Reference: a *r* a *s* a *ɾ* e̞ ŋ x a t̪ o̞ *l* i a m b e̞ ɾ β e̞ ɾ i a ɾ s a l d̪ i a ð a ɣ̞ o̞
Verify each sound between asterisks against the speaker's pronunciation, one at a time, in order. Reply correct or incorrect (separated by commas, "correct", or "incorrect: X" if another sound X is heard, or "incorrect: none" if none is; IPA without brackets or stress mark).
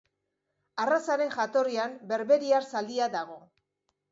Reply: correct, correct, correct, incorrect: r